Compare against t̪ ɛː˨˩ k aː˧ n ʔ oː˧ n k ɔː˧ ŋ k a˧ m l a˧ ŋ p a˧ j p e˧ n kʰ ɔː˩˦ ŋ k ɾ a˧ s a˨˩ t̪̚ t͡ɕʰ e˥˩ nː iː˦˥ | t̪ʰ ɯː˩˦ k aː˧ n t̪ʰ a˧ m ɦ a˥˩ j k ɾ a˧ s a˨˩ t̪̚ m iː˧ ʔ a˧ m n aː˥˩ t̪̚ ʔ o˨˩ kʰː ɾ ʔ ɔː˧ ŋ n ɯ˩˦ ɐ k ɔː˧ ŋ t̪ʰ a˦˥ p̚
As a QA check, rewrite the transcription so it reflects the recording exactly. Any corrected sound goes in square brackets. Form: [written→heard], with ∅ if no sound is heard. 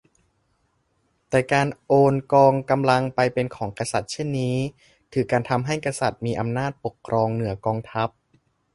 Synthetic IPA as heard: t̪ ɛː˨˩ k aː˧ n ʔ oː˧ n k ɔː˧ ŋ k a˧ m l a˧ ŋ p a˧ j p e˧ n kʰ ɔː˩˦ ŋ k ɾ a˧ s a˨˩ t̪̚ t͡ɕʰ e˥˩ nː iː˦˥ | t̪ʰ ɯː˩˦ k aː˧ n t̪ʰ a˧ m ɦ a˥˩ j k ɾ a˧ s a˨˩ t̪̚ m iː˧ ʔ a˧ m n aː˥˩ t̪̚ [ʔ→p] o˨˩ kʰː ɾ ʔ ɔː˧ ŋ n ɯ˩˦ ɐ k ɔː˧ ŋ t̪ʰ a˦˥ p̚